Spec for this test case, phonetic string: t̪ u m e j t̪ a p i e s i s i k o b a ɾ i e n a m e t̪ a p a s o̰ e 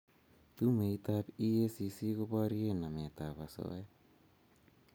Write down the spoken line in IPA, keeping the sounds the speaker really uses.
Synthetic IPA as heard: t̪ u m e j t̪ a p i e s i s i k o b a ɾ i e n a m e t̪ a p a s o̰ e